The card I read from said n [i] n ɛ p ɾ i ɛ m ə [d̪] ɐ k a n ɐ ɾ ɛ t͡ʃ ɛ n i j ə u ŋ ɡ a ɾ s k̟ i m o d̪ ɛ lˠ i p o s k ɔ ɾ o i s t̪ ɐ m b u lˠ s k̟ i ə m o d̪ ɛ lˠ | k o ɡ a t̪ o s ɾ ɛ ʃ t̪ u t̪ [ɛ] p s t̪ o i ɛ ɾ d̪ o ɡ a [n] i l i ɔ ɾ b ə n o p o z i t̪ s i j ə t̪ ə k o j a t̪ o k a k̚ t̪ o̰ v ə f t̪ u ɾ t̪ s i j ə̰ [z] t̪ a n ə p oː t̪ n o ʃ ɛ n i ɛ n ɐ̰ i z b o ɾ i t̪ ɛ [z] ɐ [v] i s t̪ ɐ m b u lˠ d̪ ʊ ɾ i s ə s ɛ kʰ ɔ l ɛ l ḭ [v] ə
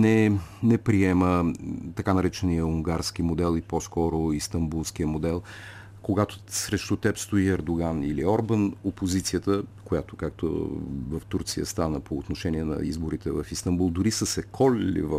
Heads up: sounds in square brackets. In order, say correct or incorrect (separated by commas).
incorrect, incorrect, correct, correct, incorrect, incorrect, incorrect, correct